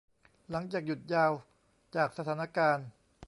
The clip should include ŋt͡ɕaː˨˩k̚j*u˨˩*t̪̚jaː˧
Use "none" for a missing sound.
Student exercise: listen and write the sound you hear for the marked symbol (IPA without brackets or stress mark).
u˨˩